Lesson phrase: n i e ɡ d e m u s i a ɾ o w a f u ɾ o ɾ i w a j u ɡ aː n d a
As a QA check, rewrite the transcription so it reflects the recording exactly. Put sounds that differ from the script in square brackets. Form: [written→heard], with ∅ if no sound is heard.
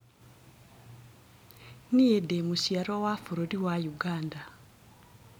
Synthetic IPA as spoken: n i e [ɡ→∅] d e m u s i a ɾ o w a f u ɾ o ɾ i w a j u ɡ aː n d a